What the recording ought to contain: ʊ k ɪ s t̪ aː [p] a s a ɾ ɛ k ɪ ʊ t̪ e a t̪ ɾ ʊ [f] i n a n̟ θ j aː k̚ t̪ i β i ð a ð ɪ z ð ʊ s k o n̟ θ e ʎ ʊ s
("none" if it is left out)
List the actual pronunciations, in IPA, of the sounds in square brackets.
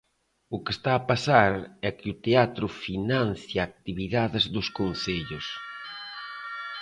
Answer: p, f

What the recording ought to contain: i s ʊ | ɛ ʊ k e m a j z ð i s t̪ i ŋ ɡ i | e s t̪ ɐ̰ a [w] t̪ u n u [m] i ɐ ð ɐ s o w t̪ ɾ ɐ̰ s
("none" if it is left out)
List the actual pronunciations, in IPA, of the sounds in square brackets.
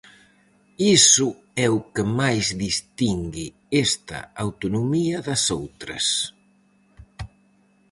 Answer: w, m

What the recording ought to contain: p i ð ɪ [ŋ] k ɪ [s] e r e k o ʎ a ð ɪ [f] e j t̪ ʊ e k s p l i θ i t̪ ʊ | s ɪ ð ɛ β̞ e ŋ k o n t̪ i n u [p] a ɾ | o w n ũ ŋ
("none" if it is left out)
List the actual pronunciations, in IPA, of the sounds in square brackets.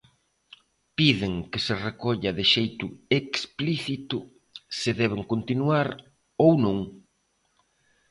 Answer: ŋ, s, ʃ, none

